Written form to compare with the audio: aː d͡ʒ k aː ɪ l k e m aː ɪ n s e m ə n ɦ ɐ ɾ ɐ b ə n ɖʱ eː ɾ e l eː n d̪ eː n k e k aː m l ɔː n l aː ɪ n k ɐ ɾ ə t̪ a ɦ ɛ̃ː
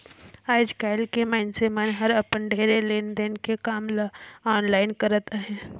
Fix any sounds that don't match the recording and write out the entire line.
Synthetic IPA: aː d͡ʒ k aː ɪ l k e m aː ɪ n s e m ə n ɦ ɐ ɾ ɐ p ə n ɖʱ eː ɾ e l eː n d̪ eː n k e k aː m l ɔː n l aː ɪ n k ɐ ɾ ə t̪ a ɦ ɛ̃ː